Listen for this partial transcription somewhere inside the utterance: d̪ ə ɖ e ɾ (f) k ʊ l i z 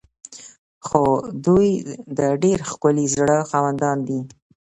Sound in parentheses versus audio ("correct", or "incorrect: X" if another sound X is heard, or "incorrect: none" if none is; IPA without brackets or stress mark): incorrect: x